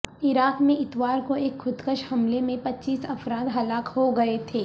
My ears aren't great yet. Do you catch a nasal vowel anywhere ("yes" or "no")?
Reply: yes